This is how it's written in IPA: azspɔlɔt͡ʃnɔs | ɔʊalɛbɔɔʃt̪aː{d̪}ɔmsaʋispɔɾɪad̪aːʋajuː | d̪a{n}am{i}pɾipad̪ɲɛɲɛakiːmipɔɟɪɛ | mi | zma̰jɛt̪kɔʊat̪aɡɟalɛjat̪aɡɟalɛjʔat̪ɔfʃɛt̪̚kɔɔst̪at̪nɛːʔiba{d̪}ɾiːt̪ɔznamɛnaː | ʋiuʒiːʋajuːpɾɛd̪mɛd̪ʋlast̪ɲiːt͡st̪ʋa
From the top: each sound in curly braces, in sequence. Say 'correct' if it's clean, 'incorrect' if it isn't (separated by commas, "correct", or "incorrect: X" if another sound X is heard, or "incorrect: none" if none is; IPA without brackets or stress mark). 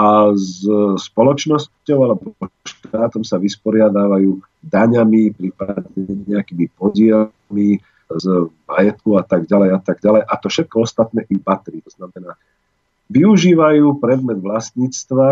incorrect: t̪, incorrect: ɲ, correct, incorrect: t̪